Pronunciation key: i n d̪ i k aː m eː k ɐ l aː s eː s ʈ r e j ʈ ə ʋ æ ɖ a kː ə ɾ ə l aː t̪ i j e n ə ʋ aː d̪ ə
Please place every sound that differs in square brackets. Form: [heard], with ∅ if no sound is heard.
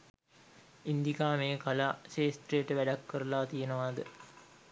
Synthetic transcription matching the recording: i n d̪ i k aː m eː k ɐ l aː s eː s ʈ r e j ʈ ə ʋ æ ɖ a kː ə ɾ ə l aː t̪ i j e n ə ʋ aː d̪ ə